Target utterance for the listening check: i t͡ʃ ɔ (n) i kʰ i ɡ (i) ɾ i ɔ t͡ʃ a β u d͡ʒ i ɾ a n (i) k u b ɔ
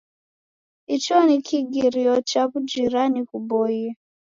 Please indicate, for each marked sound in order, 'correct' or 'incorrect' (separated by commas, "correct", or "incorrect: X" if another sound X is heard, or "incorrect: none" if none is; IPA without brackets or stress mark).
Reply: correct, correct, correct